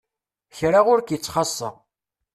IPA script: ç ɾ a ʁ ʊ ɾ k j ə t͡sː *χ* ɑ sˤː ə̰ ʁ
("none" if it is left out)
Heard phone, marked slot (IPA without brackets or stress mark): χ